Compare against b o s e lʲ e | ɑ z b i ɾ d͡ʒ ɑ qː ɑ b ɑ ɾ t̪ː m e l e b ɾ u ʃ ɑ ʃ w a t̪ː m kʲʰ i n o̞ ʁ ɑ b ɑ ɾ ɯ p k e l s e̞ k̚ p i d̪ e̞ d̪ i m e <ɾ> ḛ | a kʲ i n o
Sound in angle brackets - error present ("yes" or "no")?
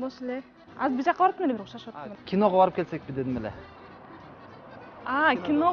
yes